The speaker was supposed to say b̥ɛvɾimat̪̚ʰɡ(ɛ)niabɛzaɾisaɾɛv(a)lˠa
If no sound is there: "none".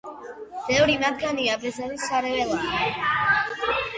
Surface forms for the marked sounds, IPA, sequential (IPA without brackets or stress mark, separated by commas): a, ɛ